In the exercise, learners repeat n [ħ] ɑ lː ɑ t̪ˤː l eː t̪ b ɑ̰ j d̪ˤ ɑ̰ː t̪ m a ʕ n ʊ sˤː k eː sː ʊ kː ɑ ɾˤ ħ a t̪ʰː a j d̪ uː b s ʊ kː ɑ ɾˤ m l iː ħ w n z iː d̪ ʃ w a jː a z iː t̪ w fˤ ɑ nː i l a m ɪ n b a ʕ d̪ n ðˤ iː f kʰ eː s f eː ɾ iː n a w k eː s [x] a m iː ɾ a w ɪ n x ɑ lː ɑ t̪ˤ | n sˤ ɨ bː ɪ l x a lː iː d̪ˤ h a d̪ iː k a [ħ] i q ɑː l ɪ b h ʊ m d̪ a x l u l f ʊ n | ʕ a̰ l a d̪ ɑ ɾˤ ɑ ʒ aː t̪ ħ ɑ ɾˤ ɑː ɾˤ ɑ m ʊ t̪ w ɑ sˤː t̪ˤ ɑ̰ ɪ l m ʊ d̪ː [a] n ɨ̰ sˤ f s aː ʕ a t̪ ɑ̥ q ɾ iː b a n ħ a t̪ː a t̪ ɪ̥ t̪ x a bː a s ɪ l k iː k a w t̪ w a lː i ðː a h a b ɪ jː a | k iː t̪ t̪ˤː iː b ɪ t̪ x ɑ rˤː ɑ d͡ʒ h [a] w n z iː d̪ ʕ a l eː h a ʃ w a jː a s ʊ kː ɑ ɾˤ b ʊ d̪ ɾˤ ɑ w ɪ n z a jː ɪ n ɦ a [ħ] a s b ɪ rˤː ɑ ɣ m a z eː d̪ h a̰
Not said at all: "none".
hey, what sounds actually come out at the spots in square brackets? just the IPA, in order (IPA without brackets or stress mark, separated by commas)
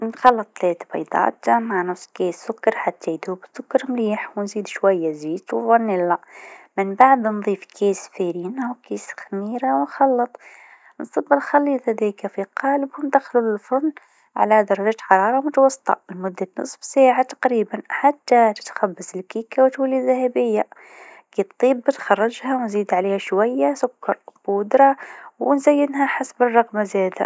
x, x, f, a, a, ħ